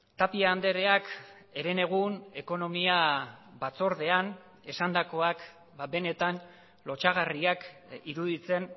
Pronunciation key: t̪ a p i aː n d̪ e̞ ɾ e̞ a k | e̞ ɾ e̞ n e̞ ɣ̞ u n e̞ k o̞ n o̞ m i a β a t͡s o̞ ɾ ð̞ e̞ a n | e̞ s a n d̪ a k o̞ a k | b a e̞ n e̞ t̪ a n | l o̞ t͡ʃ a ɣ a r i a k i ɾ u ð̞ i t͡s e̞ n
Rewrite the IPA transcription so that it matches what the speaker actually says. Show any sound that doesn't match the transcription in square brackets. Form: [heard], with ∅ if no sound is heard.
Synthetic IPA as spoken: t̪ a p i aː n d̪ e̞ ɾ e̞ a k | e̞ ɾ e̞ n e̞ ɣ̞ u n e̞ k o̞ n o̞ m i a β a t͡s o̞ ɾ ð̞ e̞ a n | e̞ s a n d̪ a k o̞ a k | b a e̞ n e̞ t̪ a n | l o̞ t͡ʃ a ɣ a r i a k i ɾ u ð̞ i t͡s e̞ n